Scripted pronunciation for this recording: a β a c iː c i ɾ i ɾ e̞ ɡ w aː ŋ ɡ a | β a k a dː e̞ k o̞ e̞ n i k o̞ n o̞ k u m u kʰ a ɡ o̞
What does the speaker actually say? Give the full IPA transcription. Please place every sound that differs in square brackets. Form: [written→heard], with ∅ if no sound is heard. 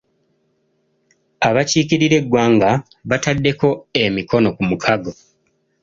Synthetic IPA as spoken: a β a c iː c i ɾ i ɾ e̞ ɡ w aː ŋ ɡ a | β a [k→t] a dː e̞ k o̞ e̞ [n→m] i k o̞ n o̞ k u m u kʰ a ɡ o̞